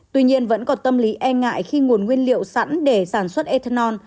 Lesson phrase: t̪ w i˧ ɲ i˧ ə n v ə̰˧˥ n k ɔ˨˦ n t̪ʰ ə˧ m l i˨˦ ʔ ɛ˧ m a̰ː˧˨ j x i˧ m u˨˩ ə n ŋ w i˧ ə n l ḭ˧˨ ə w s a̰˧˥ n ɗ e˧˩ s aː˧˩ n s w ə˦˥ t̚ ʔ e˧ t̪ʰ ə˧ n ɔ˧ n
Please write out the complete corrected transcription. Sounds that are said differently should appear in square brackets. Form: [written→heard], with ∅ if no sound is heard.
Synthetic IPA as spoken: t̪ w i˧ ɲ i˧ ə n v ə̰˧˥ n k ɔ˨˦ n [t̪ʰ→t̪] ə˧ m l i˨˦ ʔ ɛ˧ [m→ŋ] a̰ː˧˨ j x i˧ [m→ŋ] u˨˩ ə n ŋ w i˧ ə n l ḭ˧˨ ə w s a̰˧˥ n ɗ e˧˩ s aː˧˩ n s w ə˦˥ t̚ ʔ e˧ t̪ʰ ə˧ n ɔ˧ n